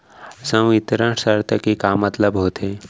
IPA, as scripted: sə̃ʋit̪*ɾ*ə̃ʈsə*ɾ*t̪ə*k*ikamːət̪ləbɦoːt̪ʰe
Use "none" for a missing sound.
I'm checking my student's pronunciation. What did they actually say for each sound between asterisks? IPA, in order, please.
ɾ, ɾ, k

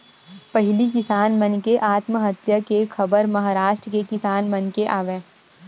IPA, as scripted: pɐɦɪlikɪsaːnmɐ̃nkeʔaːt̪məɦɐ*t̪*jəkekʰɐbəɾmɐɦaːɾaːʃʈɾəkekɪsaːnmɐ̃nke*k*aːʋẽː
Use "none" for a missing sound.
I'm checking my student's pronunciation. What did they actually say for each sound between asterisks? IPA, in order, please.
t̪, ʔ

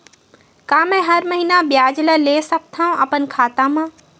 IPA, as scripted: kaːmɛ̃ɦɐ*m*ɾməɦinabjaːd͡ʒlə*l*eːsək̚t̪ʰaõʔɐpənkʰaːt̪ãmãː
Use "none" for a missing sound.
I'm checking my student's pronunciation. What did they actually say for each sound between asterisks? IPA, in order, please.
none, l

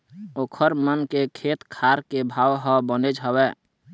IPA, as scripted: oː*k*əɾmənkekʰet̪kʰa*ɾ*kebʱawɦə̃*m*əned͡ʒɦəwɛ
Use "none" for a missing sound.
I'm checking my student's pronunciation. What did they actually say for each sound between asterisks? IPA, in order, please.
kʰ, ɾ, b

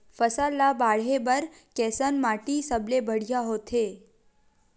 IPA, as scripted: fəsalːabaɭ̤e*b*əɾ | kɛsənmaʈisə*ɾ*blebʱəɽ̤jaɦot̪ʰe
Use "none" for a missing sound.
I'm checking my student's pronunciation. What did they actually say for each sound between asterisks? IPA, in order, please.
b, none

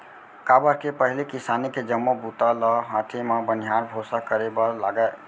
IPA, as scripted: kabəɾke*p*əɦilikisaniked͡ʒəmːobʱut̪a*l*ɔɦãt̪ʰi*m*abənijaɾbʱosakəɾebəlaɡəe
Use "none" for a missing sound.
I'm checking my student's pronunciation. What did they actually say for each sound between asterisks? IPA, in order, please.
p, l, m

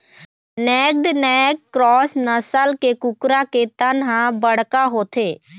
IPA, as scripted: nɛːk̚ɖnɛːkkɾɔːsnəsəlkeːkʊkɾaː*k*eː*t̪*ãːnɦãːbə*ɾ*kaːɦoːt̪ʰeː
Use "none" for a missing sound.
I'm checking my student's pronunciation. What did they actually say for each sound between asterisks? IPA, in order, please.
k, t̪, ɽ

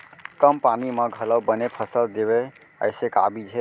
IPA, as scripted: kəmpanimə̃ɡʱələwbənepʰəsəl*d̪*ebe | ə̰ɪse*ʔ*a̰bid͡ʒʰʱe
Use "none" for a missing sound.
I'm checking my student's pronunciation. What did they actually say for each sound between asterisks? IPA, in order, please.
d̪, k

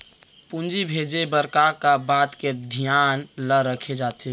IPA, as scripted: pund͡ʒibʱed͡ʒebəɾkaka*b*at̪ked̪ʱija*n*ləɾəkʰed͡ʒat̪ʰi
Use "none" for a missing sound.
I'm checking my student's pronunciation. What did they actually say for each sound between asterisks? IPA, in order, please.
b, n

